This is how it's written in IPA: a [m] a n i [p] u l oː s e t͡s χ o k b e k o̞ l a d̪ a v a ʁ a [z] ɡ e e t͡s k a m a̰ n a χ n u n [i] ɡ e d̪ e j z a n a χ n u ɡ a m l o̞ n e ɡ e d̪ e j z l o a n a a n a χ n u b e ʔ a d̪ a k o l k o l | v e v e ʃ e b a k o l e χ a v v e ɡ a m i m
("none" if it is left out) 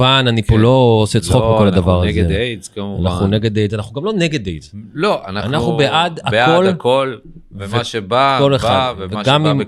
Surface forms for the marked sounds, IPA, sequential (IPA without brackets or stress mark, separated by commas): n, p, z, e